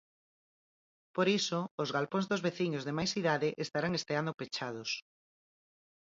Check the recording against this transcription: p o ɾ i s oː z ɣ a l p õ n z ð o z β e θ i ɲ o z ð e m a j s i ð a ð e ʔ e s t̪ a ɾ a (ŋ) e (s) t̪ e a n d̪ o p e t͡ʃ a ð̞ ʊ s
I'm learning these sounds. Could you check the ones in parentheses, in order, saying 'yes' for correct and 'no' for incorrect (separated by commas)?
yes, yes